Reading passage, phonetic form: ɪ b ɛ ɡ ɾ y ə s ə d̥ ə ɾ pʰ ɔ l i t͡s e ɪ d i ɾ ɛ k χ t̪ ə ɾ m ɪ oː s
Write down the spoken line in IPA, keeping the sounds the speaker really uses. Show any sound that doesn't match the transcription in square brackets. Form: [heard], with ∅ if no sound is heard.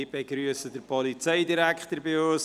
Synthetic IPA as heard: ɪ b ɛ ɡ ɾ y ə s ə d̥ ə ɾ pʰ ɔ l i t͡s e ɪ d i ɾ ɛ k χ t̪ ə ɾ [b] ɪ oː s